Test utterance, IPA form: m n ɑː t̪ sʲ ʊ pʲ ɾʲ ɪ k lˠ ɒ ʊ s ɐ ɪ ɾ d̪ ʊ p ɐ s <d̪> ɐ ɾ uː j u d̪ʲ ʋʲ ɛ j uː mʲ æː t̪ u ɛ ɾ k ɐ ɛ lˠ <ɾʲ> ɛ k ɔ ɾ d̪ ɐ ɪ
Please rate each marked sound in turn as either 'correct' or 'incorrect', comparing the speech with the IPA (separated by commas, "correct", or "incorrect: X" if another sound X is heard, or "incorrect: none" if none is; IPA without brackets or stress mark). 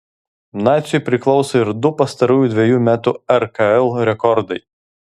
incorrect: t̪, correct